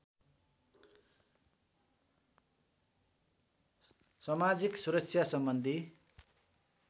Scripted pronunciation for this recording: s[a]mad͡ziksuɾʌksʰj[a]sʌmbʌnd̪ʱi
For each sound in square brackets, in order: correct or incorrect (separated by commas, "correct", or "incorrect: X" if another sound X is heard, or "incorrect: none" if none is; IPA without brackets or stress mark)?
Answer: incorrect: ʌ, correct